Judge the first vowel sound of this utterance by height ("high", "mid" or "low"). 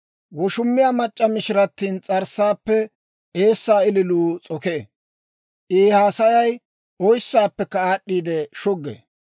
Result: mid